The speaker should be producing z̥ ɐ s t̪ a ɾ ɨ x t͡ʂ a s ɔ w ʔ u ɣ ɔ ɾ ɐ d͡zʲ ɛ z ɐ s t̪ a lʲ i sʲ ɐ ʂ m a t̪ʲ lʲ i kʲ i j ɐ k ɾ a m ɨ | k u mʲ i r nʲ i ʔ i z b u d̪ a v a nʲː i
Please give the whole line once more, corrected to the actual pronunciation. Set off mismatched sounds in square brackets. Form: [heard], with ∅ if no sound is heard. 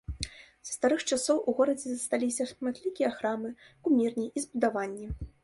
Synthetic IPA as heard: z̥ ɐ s t̪ a ɾ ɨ x t͡ʂ a s ɔ w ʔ u ɣ ɔ ɾ ɐ d͡zʲ ɛ z ɐ s t̪ a lʲ i sʲ ɐ ʂ m a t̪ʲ lʲ i kʲ i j ɐ [x] ɾ a m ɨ | k u mʲ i r nʲ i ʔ i z b u d̪ a v a nʲː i

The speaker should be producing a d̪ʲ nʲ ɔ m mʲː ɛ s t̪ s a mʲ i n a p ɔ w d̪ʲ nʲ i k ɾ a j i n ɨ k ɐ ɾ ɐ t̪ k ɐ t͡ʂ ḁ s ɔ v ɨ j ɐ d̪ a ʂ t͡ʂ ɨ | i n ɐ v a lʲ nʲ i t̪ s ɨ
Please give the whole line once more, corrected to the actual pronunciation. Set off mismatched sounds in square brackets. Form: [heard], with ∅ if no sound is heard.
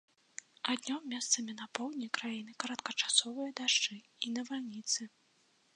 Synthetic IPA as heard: a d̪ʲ nʲ ɔ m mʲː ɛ s t̪ s [ɐ] mʲ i n a p ɔ w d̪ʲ nʲ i k ɾ a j i n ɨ k ɐ ɾ ɐ t̪ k ɐ t͡ʂ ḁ s ɔ v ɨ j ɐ d̪ a ʂ t͡ʂ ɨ | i n ɐ v a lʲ nʲ i t̪ s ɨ

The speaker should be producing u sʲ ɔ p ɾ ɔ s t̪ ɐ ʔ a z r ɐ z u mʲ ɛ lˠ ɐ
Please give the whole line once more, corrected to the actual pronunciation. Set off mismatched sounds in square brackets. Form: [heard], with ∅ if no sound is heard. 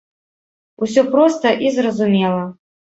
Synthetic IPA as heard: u sʲ ɔ p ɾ ɔ s t̪ ɐ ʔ [i] z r ɐ z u mʲ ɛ lˠ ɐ

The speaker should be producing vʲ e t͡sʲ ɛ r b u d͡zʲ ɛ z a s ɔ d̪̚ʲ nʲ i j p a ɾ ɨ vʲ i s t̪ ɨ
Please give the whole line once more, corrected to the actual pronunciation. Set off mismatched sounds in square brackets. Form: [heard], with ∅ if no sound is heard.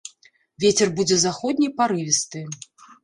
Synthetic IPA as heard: vʲ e t͡sʲ ɛ r b u d͡zʲ ɛ z a [x] ɔ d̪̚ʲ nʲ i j p a ɾ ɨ vʲ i s t̪ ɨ

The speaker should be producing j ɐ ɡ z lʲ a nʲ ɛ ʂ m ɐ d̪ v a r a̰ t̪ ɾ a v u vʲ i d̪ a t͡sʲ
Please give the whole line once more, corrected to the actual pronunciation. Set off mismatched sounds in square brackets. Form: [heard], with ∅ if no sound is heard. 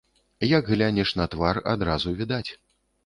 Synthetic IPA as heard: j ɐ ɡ [ɣ] lʲ a nʲ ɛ ʂ [n] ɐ [t̪] v a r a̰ [d̪] ɾ a [z] u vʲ i d̪ a t͡sʲ

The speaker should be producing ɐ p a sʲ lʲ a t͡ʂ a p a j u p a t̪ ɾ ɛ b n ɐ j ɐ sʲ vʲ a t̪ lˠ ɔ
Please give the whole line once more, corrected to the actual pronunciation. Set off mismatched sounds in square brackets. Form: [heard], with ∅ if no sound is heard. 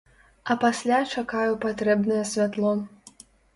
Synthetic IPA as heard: ɐ p a sʲ lʲ a t͡ʂ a [k] a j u p a t̪ ɾ ɛ b n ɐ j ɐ sʲ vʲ a t̪ lˠ ɔ

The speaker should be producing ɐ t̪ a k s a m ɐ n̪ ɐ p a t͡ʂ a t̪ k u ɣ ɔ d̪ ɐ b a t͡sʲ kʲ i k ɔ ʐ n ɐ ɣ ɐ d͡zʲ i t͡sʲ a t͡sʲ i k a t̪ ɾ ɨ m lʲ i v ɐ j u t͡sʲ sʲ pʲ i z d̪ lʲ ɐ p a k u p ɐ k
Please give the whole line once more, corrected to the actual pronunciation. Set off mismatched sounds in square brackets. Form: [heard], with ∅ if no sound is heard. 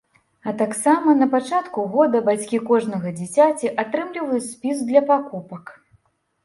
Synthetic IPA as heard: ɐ t̪ a k s a m ɐ n̪ ɐ p a t͡ʂ a t̪ k u ɣ ɔ d̪ ɐ b a t͡sʲ kʲ i k ɔ ʐ n ɐ ɣ ɐ d͡zʲ i t͡sʲ a t͡sʲ i [ʔ] a t̪ ɾ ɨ m lʲ i v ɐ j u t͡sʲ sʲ pʲ i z d̪ lʲ ɐ p a k u p ɐ k

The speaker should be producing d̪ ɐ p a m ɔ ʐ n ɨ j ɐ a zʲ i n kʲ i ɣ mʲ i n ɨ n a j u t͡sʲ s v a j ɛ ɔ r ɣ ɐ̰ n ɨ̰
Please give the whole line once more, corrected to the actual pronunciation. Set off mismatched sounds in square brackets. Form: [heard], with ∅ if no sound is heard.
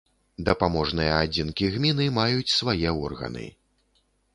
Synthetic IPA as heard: d̪ ɐ p a m ɔ ʐ n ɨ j ɐ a [d͡zʲ] i n kʲ i ɣ mʲ i n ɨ [m] a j u t͡sʲ s v a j ɛ ɔ r ɣ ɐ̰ n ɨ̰

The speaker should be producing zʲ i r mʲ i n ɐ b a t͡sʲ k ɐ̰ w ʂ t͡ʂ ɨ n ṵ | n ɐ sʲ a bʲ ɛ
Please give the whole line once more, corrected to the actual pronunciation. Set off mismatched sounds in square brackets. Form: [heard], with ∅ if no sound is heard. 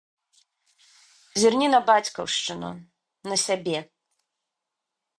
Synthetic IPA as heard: zʲ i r [nʲ] i n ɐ b a t͡sʲ k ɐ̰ w ʂ t͡ʂ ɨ n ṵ | n ɐ sʲ a bʲ ɛ

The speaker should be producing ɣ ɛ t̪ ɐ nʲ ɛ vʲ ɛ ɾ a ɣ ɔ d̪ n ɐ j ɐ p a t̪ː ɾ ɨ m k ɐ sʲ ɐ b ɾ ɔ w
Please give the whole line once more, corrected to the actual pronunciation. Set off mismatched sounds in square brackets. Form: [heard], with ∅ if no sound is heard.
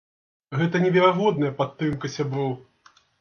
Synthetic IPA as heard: ɣ ɛ t̪ ɐ nʲ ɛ vʲ ɛ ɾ a ɣ ɔ d̪ n ɐ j ɐ p a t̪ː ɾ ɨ m k ɐ sʲ [a] b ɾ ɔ w

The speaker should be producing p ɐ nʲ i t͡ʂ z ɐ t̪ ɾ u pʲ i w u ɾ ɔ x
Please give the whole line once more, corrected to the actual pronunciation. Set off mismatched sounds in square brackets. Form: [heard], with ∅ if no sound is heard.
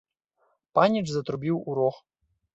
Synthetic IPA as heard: p [a] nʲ i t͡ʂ z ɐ t̪ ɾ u [bʲ] i w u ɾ ɔ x

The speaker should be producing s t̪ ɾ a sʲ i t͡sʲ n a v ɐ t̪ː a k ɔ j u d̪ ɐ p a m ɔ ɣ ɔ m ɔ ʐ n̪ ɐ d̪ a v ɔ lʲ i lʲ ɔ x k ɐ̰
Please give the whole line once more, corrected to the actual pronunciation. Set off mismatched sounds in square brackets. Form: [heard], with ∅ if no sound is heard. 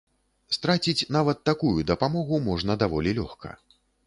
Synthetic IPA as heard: s t̪ ɾ a [t͡sʲ] i t͡sʲ n a v ɐ t̪ː a k [u] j u d̪ ɐ p a m ɔ ɣ [u] m ɔ ʐ n̪ ɐ d̪ a v ɔ lʲ i lʲ ɔ x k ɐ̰

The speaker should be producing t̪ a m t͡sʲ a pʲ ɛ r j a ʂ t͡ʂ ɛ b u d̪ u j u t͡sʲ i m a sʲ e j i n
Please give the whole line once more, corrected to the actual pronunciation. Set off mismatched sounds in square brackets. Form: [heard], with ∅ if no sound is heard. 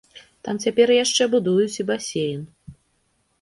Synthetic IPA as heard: t̪ a m t͡sʲ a pʲ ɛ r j a ʂ t͡ʂ ɛ b u d̪ u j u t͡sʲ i [b] a sʲ e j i n

